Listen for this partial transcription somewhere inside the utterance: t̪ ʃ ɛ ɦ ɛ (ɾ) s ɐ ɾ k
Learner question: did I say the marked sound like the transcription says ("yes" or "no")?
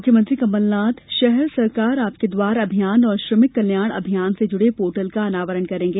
yes